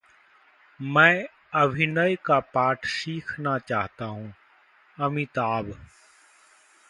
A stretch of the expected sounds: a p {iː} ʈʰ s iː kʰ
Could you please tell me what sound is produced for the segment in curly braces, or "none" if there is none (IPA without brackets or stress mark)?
aː